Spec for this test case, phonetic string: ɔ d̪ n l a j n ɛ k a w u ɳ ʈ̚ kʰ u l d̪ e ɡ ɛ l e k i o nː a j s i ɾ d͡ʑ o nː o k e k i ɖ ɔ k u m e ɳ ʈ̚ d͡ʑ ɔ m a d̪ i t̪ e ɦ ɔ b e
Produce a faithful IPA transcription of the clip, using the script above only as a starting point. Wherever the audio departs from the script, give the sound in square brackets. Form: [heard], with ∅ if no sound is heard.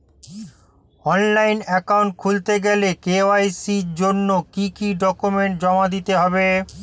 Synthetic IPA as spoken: ɔ [∅] n l a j n ɛ k a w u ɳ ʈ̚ kʰ u l [t̪] e ɡ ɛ l e k [e] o [∅] a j s i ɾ d͡ʑ o nː o k [i] k i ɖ ɔ k u m e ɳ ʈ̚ d͡ʑ ɔ m a d̪ i t̪ e ɦ ɔ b e